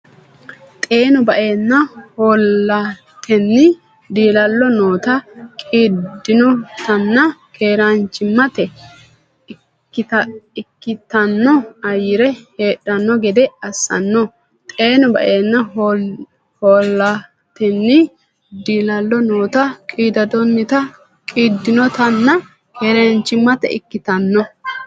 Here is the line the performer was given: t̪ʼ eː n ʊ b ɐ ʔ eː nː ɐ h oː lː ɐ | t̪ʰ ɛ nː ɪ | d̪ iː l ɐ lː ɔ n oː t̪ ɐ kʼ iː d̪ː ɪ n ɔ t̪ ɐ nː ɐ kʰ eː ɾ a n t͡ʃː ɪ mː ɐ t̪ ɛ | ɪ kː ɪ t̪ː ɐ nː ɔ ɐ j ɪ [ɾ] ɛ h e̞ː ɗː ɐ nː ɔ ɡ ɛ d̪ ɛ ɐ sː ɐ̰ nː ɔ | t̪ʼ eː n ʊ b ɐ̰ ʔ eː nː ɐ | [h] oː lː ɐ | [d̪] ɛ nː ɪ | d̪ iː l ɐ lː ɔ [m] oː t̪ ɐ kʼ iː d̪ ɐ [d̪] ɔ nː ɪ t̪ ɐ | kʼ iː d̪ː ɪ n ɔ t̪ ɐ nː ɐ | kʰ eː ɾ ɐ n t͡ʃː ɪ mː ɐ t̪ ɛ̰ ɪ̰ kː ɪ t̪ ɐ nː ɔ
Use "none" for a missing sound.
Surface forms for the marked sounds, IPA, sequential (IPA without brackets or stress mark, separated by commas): ɾ, h, t̪, n, d̪